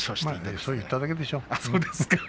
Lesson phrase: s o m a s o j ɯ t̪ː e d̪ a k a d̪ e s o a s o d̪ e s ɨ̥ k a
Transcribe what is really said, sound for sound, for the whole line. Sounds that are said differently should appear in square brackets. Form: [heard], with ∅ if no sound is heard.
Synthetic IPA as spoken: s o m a s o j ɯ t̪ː [a] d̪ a k [e] d̪ e [ʃ] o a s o d̪ e s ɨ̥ k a

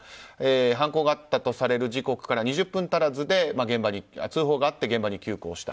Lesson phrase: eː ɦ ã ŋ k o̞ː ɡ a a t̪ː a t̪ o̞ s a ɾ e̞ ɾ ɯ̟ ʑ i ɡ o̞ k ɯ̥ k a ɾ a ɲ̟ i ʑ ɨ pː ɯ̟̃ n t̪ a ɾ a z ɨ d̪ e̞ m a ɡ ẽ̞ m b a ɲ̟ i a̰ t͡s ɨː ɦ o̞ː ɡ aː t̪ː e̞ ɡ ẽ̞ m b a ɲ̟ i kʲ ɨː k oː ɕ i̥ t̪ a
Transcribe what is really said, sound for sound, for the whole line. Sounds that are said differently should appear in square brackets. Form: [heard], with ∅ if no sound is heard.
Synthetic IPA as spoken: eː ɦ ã ŋ k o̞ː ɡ a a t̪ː a t̪ o̞ s a ɾ e̞ ɾ ɯ̟ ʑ i [k] o̞ k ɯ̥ k a ɾ a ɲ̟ i ʑ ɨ pː ɯ̟̃ n t̪ a ɾ a z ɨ d̪ e̞ m a ɡ ẽ̞ m b a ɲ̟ i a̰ t͡s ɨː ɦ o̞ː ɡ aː t̪ː e̞ ɡ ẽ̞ m b a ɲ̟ i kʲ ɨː k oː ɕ i̥ t̪ a

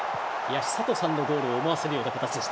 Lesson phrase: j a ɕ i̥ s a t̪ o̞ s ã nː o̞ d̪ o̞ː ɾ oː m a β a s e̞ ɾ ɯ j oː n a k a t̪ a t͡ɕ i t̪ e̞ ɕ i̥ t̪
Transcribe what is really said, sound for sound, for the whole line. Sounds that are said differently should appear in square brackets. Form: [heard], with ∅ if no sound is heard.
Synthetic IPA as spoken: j a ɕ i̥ s a t̪ o̞ s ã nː o̞ d̪ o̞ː ɾ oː m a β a s e̞ ɾ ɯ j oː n a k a t̪ a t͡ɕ i [d̪] e̞ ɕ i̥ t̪

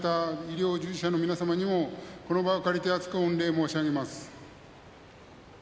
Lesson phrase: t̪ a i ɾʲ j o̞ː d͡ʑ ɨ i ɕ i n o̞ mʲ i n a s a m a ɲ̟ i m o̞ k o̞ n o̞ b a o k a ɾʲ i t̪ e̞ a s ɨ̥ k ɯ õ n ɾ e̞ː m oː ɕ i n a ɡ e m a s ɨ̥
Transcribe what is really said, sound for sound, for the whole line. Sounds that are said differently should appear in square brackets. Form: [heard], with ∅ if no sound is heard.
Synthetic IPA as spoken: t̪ a i ɾʲ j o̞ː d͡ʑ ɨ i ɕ [a] n o̞ mʲ i n a s a m a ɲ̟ i m o̞ k o̞ n o̞ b a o k a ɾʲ i t̪ e̞ a [t͡s] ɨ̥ k ɯ õ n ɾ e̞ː m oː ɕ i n a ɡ e m a s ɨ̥

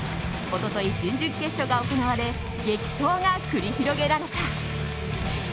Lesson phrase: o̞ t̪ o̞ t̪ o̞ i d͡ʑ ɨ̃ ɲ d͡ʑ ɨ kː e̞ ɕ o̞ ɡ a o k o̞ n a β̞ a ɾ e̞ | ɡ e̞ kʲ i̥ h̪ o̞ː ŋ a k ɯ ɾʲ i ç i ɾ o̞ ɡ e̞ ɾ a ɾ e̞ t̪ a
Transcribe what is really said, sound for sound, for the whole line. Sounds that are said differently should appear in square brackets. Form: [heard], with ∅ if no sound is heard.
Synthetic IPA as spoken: o̞ t̪ o̞ t̪ o̞ i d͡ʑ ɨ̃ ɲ d͡ʑ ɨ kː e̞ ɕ o̞ ɡ a o k o̞ n a β̞ a ɾ e̞ | ɡ e̞ kʲ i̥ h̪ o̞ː ŋ a k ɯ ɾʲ i ç i ɾ o̞ ɡ e̞ ɾ a ɾ e̞ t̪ a

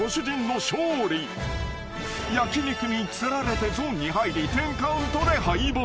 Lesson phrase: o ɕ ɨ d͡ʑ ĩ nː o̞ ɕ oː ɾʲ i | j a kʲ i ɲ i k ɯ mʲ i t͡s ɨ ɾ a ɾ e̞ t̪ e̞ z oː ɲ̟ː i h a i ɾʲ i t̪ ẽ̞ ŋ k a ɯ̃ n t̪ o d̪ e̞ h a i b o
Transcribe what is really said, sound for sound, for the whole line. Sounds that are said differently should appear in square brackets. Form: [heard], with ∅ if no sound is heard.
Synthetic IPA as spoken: o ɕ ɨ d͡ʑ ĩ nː o̞ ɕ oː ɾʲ i | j a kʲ i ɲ i k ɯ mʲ i t͡s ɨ ɾ a ɾ e̞ t̪ e̞ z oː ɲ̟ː i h a i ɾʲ i t̪ ẽ̞ ŋ k a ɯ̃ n t̪ o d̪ e̞ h a i b o

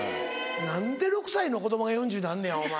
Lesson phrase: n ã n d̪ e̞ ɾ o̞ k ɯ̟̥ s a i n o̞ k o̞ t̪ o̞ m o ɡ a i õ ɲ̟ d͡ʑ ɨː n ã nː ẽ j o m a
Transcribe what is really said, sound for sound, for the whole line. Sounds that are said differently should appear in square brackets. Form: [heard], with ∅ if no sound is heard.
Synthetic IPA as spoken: n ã n d̪ e̞ ɾ o̞ k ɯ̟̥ s a i n o̞ k o̞ [d̪] o̞ m o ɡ a [j] õ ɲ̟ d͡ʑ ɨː n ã nː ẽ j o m a

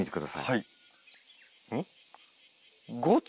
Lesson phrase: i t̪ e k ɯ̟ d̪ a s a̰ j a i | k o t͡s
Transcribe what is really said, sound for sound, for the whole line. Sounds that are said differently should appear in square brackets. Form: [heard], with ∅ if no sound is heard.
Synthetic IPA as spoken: i t̪ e k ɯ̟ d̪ a s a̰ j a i | [ɡ] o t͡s

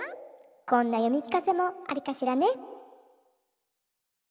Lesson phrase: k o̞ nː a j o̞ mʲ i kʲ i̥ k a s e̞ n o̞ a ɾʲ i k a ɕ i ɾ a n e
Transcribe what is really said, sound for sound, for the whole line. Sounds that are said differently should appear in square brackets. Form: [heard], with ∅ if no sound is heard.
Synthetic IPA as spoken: k [õ̞] nː a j o̞ mʲ i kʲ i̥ k a s e̞ [m] o̞ a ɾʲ i k a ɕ i ɾ a n e

